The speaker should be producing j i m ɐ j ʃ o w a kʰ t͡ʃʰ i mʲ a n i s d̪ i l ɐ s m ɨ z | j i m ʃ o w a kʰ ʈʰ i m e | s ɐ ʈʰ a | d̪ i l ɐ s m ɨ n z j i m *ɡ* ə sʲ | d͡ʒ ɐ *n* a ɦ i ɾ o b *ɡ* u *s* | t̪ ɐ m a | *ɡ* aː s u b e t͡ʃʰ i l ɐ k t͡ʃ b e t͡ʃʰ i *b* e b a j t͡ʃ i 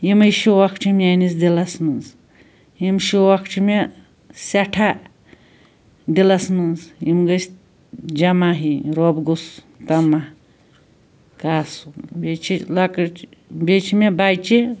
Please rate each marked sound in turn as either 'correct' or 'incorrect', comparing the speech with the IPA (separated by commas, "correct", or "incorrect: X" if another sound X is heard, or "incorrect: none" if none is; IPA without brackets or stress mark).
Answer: correct, incorrect: m, correct, correct, incorrect: k, incorrect: m